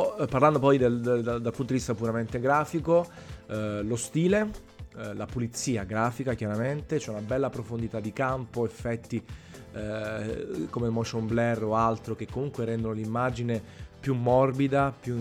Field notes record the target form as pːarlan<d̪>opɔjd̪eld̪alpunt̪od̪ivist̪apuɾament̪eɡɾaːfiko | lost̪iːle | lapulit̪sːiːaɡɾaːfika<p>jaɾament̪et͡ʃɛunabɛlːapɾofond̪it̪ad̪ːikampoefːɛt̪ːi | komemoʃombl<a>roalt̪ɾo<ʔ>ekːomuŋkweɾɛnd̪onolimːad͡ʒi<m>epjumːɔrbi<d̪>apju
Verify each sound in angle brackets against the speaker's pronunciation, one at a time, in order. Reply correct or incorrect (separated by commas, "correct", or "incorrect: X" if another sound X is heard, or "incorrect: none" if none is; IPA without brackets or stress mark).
correct, incorrect: k, incorrect: ɛ, incorrect: k, incorrect: n, correct